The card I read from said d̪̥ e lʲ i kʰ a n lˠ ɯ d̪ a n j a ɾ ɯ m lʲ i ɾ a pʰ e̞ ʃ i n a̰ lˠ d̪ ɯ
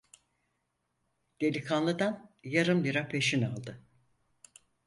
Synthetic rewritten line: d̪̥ e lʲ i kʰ a n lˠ ɯ d̪ a n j a ɾ ɯ m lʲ i ɾ a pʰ e̞ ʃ i n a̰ lˠ d̪ ɯ